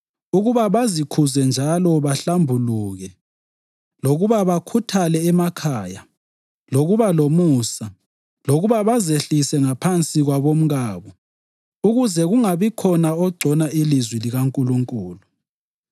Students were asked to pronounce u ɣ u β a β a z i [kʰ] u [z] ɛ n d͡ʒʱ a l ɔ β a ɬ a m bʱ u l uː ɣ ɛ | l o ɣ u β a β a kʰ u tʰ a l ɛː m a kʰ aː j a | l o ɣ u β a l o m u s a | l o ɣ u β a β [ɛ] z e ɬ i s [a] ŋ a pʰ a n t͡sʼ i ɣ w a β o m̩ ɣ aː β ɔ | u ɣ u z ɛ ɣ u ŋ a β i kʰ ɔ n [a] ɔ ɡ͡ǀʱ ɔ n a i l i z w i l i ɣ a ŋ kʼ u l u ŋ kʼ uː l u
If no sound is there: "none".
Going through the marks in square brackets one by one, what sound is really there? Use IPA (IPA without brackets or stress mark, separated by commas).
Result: kʰ, z, a, ɛ, a